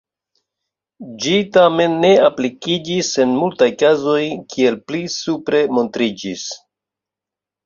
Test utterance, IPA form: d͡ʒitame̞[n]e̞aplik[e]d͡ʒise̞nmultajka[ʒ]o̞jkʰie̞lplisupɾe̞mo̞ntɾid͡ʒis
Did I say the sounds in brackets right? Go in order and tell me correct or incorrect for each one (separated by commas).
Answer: incorrect, incorrect, incorrect